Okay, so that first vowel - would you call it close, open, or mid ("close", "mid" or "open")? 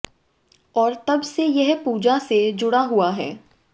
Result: mid